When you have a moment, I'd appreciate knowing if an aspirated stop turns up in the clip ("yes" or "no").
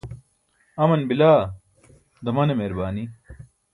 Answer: no